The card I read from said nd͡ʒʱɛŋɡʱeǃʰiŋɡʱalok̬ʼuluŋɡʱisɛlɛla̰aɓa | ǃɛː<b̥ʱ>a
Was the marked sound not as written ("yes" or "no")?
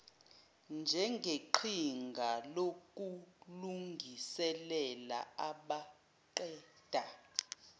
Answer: yes